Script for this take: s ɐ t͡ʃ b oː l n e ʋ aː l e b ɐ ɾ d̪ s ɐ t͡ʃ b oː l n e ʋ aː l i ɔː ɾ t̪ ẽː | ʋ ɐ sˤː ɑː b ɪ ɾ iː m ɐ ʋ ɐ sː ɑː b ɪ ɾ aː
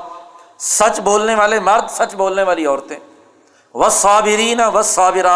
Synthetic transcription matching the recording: s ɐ t͡ʃ b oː l n e ʋ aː l e m ɐ ɾ d̪ s ɐ t͡ʃ b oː l n e ʋ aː l i ɔː ɾ t̪ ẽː | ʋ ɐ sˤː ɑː b ɪ ɾ iː n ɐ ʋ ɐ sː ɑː b ɪ ɾ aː